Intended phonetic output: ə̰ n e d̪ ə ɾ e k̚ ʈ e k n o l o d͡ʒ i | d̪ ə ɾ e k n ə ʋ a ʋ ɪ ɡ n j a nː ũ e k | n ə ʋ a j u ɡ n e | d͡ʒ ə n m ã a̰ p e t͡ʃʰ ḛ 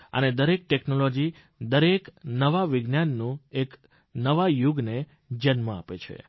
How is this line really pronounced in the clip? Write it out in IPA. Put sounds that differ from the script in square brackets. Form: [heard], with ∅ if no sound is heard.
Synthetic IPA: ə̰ n e d̪ ə ɾ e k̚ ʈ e k n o l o d͡ʒ i | d̪ ə ɾ e k n ə ʋ a ʋ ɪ ɡ n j a nː ũ e k | n ə ʋ a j u ɡ n e | d͡ʒ ə n m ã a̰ p e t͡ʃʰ ḛ